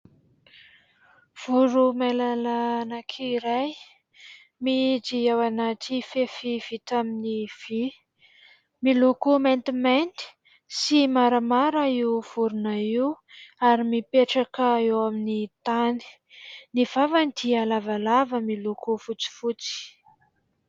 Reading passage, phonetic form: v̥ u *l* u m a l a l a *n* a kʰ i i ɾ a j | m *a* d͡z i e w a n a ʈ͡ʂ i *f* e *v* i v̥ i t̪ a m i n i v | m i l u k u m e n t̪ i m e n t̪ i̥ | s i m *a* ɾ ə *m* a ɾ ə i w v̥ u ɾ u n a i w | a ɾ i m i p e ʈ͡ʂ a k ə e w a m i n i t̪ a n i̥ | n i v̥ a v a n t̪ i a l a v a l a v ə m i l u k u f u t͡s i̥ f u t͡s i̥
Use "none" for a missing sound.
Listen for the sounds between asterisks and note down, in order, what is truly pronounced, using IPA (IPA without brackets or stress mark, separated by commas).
ɾ, n, i, f, f, a, m